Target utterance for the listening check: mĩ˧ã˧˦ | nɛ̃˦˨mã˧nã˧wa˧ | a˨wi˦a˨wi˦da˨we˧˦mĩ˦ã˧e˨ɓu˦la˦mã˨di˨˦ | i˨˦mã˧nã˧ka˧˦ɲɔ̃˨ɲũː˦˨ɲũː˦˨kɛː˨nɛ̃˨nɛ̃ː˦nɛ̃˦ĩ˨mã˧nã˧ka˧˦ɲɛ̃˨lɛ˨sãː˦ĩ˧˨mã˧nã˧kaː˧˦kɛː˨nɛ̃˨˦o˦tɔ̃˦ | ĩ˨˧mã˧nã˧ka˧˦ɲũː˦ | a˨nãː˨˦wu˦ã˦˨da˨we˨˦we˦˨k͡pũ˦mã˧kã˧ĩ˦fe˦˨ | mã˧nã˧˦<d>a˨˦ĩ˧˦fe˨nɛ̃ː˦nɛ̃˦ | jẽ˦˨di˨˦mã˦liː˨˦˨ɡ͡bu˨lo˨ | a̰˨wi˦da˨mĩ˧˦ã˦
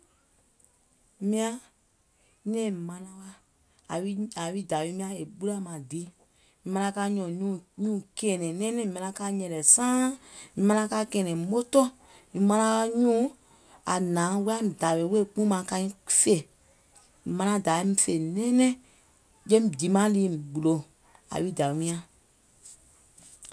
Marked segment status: correct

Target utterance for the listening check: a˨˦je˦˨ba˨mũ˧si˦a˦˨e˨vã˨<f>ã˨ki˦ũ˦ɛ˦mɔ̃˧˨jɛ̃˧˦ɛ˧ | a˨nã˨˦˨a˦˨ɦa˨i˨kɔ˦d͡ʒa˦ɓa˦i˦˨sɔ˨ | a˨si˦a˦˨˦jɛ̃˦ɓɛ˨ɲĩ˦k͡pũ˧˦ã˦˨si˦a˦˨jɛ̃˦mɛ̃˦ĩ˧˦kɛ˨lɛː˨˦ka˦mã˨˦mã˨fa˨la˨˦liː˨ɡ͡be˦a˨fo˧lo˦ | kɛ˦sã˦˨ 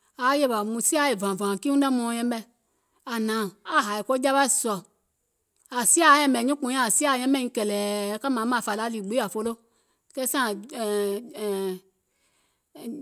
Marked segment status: incorrect: v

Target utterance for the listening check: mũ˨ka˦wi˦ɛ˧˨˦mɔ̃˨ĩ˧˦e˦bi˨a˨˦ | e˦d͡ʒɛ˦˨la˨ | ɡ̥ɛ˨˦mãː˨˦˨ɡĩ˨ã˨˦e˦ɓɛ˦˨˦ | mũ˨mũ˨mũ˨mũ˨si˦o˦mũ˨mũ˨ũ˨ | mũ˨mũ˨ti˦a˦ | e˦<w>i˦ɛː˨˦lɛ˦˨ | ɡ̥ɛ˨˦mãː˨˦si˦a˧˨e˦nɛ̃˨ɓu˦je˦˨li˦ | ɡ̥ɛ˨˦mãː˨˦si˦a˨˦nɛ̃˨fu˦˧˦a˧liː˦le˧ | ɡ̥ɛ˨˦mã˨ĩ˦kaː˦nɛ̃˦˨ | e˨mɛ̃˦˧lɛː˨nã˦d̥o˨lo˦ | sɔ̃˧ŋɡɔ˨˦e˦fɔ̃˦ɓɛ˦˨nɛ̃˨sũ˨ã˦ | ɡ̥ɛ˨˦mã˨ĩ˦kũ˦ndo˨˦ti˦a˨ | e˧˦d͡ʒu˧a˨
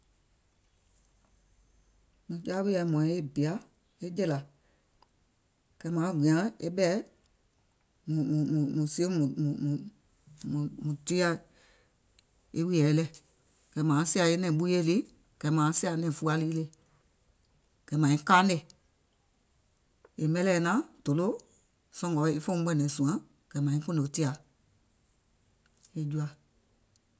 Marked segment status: correct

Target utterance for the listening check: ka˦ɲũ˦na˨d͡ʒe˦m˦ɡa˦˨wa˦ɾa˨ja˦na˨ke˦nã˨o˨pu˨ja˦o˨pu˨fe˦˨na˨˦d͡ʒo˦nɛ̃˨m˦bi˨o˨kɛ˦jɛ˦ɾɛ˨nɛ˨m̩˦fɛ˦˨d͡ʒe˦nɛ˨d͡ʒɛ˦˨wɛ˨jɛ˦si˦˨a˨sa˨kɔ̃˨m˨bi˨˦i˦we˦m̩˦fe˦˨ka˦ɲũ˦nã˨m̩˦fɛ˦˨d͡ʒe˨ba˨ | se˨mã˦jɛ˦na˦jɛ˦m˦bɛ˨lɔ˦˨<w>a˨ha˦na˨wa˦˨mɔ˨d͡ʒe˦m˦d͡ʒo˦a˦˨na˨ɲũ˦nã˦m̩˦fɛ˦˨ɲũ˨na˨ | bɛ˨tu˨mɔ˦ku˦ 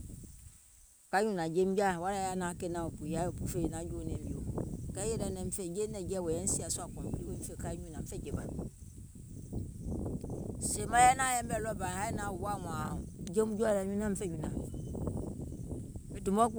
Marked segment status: incorrect: b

